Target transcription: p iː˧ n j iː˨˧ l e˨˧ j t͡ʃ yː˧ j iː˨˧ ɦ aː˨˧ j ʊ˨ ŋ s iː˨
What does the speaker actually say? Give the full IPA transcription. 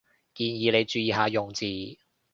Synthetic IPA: k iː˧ n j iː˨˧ l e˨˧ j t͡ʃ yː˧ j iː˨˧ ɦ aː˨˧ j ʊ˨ ŋ t͡s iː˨

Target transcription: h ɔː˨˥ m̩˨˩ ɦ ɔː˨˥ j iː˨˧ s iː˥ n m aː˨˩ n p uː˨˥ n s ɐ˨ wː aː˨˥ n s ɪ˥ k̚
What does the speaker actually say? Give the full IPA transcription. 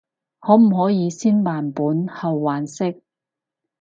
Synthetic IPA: h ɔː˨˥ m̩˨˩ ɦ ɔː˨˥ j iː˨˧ s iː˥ n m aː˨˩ n p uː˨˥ n h ɐ˨ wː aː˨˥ n s ɪ˥ k̚

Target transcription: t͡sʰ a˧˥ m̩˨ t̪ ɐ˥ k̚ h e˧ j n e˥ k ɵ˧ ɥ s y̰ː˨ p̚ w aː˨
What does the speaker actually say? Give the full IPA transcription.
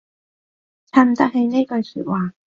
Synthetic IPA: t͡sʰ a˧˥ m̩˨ t̪ ɐ˥ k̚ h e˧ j n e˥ k ɵ˧ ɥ s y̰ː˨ t̚ w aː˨

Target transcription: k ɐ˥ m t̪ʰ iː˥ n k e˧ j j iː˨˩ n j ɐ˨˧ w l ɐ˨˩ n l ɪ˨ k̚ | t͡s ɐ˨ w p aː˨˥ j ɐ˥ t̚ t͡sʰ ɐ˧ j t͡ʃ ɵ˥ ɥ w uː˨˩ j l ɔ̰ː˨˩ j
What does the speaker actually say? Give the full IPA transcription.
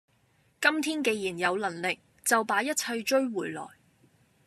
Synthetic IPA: k ɐ˥ m t̪ʰ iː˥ n k e˧ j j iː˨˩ n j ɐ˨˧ w l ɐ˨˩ n l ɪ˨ k̚ | t͡s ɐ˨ w p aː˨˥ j ɐ˥ t̚ t͡sʰ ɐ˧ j t͡ʃ ɵ˥ ɥ w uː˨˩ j l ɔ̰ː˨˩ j

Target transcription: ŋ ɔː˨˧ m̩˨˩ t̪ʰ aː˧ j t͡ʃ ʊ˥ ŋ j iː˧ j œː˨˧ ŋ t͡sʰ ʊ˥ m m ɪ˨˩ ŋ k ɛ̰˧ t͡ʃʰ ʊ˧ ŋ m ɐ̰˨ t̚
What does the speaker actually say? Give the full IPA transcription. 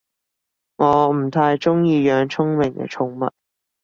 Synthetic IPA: ŋ ɔː˨˧ m̩˨˩ t̪ʰ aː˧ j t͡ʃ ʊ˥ ŋ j iː˧ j œː˨˧ ŋ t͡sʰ ʊ˥ ŋ m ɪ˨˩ ŋ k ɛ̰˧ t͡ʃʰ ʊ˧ ŋ m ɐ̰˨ t̚

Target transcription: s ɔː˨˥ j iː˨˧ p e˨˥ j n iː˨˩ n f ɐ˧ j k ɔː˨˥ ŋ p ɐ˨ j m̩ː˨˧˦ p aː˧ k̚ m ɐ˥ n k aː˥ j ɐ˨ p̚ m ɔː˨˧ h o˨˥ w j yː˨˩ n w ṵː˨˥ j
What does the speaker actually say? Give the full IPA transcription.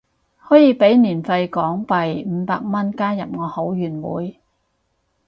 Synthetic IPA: h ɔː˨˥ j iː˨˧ p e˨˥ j n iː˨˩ n f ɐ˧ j k ɔː˨˥ ŋ p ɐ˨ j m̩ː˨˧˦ p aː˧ k̚ m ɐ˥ n k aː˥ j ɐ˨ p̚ ŋ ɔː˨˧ h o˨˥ w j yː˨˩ n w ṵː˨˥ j

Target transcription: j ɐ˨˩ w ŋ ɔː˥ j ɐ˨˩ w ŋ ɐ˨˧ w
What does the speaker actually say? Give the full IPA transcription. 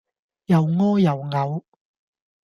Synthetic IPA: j ɐ˨˩ w ŋ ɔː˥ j ɐ˨˩ w ŋ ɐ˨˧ w

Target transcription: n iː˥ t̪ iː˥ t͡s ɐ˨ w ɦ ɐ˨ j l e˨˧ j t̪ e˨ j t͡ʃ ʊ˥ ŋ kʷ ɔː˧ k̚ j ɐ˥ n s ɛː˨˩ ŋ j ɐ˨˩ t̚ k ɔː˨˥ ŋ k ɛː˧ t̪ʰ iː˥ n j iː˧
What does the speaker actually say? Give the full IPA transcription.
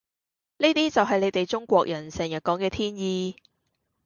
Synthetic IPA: n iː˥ t̪ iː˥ t͡s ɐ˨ w ɦ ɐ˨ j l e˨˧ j t̪ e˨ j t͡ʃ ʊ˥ ŋ kʷ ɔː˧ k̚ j ɐ˨˩ n s ɛː˨˩ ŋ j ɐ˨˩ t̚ k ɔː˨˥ ŋ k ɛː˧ t̪ʰ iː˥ n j iː˧

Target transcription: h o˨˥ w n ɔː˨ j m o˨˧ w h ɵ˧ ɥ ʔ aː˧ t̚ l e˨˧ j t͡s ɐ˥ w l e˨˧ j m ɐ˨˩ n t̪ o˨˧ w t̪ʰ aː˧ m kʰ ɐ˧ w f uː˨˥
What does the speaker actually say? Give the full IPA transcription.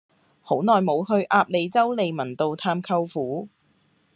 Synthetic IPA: h o˨˥ w n ɔː˨ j m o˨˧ w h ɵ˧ ɥ ʔ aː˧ p̚ l e˨˧ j t͡s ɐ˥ w l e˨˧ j m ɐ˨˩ n t̪ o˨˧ w t̪ʰ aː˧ m kʰ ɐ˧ w f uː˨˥

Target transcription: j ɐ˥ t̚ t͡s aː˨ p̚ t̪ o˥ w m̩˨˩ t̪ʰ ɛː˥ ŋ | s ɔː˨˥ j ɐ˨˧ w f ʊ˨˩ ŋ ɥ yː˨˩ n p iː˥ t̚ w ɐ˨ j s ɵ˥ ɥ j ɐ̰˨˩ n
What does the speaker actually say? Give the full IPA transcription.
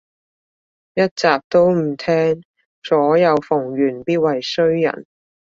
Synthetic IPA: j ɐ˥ t̚ t͡s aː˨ p̚ t̪ o˥ w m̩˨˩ t̪ʰ ɛː˥ ŋ | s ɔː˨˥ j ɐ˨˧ w f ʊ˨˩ ŋ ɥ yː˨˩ n p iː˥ t̚ w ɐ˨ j s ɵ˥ ɥ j ɐ̰˨˩ n

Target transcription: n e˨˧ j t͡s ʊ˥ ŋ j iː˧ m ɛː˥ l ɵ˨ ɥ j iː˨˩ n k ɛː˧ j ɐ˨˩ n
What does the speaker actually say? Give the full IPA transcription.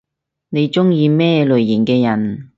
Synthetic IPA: n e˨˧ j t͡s ʊ˥ ŋ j iː˧ m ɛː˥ l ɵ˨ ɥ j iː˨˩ n k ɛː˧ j ɐ˨˩ n

